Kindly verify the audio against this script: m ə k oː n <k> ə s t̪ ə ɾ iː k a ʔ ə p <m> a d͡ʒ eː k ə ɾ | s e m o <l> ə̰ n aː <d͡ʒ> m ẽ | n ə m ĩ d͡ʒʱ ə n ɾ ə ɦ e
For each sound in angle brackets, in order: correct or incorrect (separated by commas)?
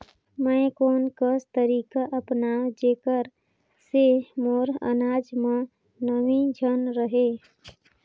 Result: correct, incorrect, incorrect, correct